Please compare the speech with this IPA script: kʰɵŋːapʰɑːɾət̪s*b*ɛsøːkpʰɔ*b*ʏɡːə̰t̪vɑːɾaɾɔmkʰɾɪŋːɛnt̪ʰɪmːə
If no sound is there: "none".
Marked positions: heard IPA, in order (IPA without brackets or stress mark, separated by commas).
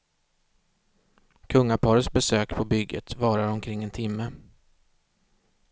b, b